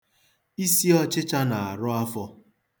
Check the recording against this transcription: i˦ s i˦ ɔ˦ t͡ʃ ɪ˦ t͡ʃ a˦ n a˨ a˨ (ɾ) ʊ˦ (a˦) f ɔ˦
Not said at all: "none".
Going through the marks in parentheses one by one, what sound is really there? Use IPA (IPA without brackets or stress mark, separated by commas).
ɾ, a˦